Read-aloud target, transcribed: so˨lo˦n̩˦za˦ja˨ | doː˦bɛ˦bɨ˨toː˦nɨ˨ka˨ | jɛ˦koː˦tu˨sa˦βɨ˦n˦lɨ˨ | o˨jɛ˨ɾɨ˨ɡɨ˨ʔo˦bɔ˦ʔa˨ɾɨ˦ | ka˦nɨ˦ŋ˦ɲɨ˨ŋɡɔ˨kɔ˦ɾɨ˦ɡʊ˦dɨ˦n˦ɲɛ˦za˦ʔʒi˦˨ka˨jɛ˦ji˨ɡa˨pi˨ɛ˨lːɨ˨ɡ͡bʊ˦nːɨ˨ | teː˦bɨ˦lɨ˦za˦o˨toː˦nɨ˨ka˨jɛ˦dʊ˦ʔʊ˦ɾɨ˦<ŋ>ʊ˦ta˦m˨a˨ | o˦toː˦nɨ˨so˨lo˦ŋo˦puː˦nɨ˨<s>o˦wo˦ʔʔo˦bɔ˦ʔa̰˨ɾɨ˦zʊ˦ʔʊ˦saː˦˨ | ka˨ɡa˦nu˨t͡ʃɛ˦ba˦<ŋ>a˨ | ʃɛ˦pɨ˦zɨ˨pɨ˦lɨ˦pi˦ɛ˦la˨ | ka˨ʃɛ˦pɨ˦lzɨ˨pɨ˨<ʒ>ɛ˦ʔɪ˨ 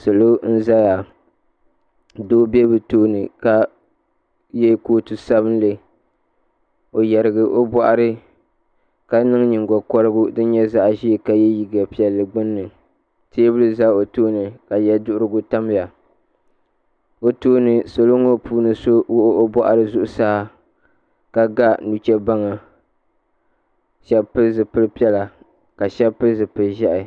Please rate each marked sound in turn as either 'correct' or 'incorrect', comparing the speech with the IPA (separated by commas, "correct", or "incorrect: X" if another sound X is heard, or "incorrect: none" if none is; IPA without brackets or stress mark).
incorrect: ɡ, correct, correct, correct